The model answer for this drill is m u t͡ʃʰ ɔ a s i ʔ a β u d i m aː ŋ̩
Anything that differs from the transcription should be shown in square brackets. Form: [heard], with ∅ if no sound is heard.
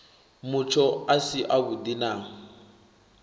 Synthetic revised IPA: m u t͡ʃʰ ɔ a s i ʔ a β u d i [n] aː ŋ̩